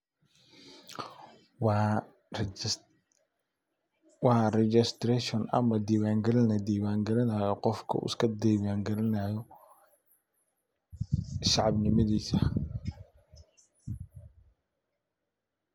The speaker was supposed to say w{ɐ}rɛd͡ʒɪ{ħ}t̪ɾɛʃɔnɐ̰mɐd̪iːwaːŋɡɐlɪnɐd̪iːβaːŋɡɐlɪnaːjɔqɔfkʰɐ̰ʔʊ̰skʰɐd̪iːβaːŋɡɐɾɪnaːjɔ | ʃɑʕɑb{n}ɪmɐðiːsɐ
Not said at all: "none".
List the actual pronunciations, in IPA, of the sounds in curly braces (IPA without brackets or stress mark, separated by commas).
ɑ, s, n